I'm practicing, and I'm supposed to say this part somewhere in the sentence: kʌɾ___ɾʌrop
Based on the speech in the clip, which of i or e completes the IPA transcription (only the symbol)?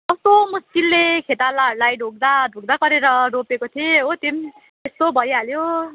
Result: e